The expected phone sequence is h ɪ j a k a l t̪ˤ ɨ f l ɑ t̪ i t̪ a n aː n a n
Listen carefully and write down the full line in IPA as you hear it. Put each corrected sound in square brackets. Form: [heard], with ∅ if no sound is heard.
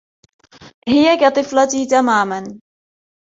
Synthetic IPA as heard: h ɪ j a k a [∅] t̪ˤ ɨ f l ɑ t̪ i t̪ a [m] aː [m] a n

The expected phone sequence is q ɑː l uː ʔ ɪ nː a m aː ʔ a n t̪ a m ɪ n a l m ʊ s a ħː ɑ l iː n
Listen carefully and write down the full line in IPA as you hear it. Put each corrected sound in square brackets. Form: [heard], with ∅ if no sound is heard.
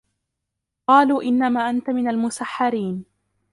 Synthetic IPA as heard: q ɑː l uː ʔ ɪ nː a m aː ʔ a n t̪ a m ɪ n a l m ʊ s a ħː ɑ [ɾ] iː n

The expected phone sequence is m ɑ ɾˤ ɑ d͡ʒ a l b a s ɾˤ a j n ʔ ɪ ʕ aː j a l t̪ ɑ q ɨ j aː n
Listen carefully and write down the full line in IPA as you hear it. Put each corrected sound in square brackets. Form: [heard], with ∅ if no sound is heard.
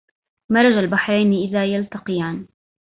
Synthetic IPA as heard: m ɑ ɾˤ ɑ d͡ʒ a l b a [ħ] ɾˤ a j n ʔ ɪ [ð] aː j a l t̪ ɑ q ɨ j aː n

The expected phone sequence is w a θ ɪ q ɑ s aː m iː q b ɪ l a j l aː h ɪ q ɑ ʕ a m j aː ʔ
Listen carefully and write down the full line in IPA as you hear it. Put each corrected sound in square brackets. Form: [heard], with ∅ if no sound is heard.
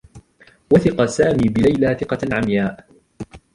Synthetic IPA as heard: w a θ ɪ q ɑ s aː m iː [∅] b ɪ l a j l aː [θ] ɪ q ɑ ʕ a m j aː ʔ

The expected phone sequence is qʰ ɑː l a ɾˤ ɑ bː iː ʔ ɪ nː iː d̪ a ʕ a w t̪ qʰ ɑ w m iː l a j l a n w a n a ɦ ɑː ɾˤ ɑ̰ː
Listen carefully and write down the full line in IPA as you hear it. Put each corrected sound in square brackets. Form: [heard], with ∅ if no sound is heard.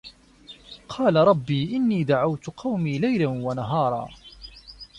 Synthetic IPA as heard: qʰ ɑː l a ɾˤ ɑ bː iː ʔ ɪ nː iː d̪ a ʕ a w t̪ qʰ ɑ w m iː l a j l a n w a n a ɦ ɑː ɾˤ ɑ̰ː

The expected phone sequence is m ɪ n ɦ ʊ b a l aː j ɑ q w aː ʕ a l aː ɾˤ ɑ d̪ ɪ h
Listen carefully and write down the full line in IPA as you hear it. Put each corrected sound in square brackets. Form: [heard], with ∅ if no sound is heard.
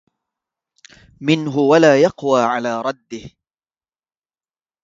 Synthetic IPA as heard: m ɪ n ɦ ʊ [w] a l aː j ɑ q w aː ʕ a l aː ɾˤ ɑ [d̪ː] ɪ h

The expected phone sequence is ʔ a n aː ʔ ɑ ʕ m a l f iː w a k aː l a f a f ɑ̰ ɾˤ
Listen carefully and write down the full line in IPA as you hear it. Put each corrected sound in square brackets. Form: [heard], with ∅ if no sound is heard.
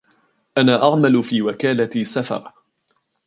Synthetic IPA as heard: ʔ a n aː ʔ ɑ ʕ m a l f iː w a k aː l a [s] a f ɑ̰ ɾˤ

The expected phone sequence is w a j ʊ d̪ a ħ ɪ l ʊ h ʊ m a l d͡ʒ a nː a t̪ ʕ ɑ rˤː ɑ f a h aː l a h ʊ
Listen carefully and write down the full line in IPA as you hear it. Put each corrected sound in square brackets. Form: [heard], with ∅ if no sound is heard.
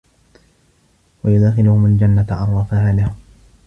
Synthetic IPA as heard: w a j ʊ d̪ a [x] ɪ l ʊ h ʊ m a l d͡ʒ a nː a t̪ ʕ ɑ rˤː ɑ f a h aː l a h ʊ

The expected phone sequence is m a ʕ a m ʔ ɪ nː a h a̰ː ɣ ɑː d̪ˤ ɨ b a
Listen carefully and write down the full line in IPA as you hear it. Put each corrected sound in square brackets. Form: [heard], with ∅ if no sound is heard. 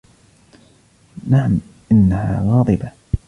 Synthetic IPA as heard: [n] a ʕ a m ʔ ɪ nː a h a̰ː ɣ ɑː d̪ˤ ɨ b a

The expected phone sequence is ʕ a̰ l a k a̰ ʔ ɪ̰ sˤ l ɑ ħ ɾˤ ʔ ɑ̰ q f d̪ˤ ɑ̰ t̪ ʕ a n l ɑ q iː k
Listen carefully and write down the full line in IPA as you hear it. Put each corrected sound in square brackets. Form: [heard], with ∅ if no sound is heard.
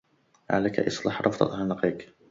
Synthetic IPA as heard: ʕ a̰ l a k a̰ ʔ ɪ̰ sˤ l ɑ ħ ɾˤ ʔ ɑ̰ [∅] f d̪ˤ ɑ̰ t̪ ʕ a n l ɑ q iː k

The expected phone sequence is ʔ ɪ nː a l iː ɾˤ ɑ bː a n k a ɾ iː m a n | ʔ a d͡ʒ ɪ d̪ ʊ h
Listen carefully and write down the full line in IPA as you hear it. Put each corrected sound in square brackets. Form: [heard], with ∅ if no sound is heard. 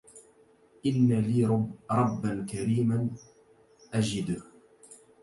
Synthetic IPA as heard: ʔ ɪ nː a l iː ɾˤ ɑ bː a n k a ɾ iː m a n | ʔ a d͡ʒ ɪ d̪ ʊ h

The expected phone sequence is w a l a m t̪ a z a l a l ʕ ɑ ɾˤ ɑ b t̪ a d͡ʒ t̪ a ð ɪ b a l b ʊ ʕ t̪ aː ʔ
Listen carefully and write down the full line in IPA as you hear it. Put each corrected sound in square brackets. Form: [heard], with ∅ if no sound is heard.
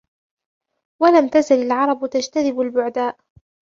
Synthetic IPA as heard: w a l a m t̪ a z a l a l ʕ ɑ ɾˤ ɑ b t̪ a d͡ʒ t̪ a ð ɪ b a l b ʊ ʕ [d̪] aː ʔ

